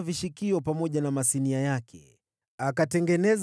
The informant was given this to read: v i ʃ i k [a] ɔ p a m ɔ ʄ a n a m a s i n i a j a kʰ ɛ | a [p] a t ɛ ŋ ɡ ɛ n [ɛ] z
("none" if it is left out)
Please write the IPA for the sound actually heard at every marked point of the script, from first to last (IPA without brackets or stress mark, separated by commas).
i, k, ɛ